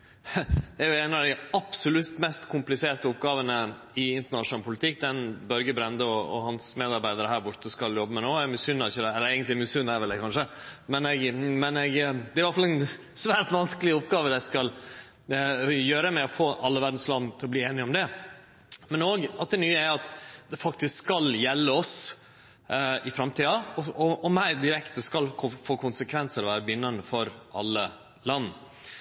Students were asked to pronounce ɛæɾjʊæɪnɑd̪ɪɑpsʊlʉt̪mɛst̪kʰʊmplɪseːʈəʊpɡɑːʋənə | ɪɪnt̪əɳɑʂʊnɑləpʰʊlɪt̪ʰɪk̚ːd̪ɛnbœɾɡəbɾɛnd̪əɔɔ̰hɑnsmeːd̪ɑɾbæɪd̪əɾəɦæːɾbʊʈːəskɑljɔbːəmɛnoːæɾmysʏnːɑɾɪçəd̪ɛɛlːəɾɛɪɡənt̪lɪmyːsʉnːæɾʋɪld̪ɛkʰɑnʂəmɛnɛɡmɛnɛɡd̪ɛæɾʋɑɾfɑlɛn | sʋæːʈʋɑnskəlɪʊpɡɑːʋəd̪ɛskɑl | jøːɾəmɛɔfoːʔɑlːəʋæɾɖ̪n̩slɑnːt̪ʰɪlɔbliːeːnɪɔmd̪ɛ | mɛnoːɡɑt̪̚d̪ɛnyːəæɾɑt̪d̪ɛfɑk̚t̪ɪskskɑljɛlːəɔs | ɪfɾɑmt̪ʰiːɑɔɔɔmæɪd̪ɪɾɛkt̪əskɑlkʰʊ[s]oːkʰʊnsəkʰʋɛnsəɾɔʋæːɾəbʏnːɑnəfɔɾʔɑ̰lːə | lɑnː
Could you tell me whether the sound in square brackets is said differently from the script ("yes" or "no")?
yes